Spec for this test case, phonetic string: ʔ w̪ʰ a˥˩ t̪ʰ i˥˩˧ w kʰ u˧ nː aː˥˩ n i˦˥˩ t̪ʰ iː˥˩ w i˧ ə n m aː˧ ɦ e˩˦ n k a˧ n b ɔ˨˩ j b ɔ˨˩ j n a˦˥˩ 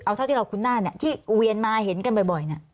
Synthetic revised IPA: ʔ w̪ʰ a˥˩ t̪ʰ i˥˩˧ w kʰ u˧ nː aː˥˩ n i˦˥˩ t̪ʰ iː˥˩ w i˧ ə n m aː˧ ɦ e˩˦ n k a˧ n b ɔ˨˩ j b ɔ˨˩ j n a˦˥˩